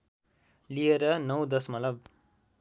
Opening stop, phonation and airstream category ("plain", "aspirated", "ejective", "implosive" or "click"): plain